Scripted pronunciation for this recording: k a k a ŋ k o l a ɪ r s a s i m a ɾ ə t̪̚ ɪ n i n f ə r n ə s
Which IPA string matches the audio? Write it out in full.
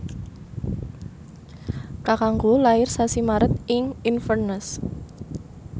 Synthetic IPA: k a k a ŋ ɡ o l a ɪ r s a s i m a ɾ ə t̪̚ ɪ ŋ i n f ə r n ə s